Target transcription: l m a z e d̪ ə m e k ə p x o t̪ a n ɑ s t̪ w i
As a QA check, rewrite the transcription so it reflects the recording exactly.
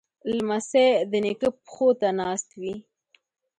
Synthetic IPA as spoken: l m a s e d̪ ə n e k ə p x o t̪ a n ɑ s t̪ w i